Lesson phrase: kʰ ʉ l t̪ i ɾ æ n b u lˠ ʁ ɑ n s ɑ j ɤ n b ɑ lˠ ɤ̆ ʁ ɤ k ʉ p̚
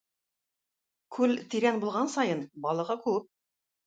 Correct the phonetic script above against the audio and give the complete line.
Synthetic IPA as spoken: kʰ ʉ l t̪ i ɾ æ n b u lˠ ʁ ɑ n s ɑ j ɤ n b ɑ lˠ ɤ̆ ʁ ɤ k ʉ p̚